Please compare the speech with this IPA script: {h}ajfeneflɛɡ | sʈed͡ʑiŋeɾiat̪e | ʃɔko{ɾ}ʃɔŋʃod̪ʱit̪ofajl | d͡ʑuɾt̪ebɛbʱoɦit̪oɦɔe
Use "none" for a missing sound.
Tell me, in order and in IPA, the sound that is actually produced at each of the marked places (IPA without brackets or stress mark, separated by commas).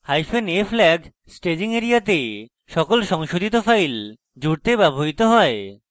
h, l